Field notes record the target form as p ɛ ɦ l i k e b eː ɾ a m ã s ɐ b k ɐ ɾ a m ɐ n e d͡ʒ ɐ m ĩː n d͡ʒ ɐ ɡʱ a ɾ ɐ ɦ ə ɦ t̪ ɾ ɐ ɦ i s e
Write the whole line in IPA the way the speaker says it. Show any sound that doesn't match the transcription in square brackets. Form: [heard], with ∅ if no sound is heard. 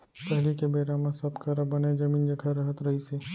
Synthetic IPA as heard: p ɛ ɦ l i k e b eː ɾ a m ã s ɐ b k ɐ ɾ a [b] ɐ n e d͡ʒ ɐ m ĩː n d͡ʒ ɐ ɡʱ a ɾ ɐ ɦ ə [∅] t̪ ɾ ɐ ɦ i s e